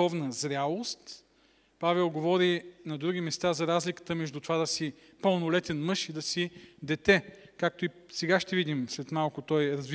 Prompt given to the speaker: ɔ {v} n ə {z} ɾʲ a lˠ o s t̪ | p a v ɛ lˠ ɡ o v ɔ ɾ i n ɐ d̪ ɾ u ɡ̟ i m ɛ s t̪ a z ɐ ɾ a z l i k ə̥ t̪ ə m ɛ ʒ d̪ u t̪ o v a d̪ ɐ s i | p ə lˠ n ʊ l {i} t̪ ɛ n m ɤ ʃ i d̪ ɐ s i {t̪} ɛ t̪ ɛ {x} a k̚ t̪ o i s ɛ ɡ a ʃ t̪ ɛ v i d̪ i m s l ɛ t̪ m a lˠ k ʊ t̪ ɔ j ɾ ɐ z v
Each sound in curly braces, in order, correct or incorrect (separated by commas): correct, correct, incorrect, incorrect, incorrect